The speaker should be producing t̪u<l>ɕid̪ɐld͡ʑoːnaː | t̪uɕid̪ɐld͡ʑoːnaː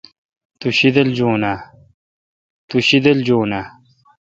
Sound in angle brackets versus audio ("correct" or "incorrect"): incorrect